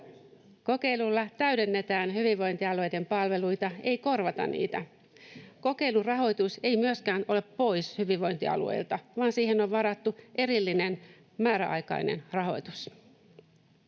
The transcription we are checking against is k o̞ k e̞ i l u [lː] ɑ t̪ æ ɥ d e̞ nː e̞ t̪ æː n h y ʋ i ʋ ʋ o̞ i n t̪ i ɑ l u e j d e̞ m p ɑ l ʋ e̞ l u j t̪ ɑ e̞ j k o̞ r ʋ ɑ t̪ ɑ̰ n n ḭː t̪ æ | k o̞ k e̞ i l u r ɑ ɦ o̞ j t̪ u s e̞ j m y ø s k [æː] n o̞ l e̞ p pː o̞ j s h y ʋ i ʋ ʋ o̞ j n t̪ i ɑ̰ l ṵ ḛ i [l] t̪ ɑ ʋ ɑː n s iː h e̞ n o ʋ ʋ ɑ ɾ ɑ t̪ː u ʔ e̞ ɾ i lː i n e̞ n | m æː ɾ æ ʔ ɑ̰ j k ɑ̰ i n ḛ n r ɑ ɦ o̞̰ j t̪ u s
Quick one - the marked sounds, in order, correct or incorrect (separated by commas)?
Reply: correct, correct, correct